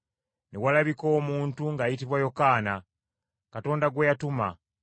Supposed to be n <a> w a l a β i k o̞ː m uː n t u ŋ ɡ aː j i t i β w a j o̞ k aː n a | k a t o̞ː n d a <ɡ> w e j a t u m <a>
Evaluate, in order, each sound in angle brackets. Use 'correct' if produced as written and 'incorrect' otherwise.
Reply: incorrect: e, correct, correct

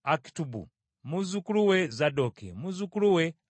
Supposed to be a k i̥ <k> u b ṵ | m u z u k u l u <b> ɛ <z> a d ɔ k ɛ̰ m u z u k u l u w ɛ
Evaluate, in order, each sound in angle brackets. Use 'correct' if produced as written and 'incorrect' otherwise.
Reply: incorrect: t, incorrect: w, correct

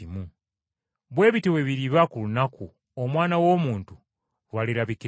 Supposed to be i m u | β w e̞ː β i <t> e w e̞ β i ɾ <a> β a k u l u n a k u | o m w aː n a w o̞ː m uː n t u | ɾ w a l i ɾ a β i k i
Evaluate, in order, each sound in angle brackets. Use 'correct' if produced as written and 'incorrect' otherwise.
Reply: correct, incorrect: i

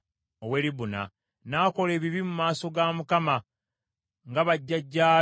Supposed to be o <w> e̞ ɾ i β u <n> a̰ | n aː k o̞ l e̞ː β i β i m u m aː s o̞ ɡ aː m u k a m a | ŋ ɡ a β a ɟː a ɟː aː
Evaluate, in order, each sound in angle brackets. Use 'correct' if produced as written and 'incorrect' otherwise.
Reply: correct, correct

